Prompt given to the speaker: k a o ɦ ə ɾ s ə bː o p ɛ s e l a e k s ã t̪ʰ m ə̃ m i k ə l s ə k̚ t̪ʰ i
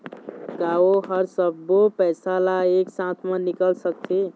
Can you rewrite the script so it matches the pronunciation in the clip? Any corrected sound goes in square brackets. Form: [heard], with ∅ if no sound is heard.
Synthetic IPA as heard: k a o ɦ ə ɾ s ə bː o p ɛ s [a] l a e k s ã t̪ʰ m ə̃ [n] i k ə l s ə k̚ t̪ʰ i